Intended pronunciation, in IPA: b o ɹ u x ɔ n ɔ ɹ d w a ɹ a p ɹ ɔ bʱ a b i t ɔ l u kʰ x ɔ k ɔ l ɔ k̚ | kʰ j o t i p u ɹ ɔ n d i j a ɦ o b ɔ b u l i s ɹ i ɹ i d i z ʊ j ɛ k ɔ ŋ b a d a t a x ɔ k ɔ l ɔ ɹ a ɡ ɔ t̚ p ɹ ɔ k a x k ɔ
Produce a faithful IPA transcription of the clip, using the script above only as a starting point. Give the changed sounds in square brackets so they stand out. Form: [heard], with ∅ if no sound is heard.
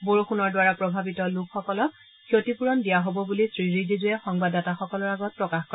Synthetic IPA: b o ɹ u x [u] n ɔ ɹ d w a ɹ a p ɹ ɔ bʱ a b i t ɔ l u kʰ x ɔ k ɔ l ɔ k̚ | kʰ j o t i p u ɹ ɔ n d i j a ɦ o b ɔ b u l i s ɹ i ɹ i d i z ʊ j ɛ [x] ɔ ŋ b a d a t a x ɔ k ɔ l ɔ ɹ a ɡ ɔ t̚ p ɹ ɔ k a x k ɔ